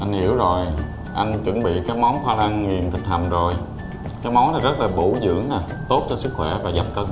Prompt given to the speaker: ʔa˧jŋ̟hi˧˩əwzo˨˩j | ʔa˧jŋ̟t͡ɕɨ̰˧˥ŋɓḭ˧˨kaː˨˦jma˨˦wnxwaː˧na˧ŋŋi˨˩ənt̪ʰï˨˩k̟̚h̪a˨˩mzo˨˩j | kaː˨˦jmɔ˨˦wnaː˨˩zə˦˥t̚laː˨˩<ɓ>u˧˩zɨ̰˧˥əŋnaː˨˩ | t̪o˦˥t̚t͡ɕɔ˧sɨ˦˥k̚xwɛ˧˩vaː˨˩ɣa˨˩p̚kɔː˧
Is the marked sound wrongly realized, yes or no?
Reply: no